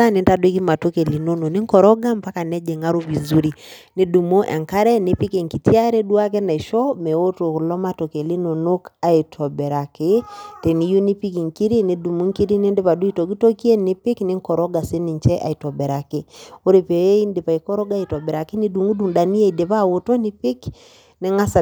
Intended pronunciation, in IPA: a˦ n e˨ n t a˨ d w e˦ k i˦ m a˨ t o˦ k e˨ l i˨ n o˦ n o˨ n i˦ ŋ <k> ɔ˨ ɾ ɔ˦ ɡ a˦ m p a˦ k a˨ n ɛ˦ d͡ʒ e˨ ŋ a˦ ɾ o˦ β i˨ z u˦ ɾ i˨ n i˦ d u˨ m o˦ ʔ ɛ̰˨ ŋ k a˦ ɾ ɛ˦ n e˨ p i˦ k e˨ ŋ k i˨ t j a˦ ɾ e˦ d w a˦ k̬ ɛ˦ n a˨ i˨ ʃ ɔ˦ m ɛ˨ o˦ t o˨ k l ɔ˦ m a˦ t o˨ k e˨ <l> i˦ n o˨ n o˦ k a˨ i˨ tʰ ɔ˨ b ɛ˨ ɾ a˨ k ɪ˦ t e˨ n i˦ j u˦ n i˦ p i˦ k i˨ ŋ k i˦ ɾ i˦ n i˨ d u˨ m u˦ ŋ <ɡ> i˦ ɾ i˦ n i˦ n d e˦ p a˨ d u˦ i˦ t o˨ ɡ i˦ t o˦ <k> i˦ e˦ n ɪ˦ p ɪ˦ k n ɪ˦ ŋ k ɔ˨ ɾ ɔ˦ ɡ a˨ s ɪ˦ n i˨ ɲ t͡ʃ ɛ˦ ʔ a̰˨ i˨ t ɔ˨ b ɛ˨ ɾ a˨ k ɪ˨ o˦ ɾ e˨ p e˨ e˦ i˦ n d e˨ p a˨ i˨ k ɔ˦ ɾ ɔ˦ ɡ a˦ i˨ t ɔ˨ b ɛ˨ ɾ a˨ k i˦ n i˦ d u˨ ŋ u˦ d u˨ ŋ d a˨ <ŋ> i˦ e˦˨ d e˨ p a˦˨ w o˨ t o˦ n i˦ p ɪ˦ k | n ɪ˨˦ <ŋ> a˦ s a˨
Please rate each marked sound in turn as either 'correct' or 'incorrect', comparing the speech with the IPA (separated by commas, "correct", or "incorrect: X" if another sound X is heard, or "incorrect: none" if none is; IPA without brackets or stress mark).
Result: correct, correct, incorrect: k, correct, incorrect: n, correct